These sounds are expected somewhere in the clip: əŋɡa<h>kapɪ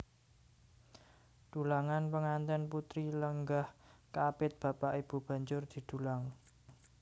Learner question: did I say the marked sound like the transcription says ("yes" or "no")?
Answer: yes